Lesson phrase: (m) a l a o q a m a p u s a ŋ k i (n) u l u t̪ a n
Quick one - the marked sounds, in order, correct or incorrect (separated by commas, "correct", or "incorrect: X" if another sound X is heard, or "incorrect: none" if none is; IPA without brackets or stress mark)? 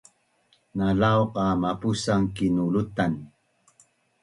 incorrect: n, correct